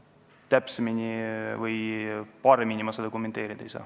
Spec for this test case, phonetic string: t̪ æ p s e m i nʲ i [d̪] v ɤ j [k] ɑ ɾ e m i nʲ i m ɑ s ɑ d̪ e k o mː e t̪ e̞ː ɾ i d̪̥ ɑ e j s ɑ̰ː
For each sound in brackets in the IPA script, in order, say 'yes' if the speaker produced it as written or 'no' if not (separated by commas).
no, no